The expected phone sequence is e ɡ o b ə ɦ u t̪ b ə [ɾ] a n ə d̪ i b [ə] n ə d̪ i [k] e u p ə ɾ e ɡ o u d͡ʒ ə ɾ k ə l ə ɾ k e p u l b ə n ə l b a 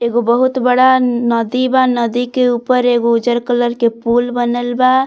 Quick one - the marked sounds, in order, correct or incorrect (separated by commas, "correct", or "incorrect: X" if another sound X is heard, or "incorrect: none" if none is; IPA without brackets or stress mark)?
incorrect: ɽ, incorrect: a, correct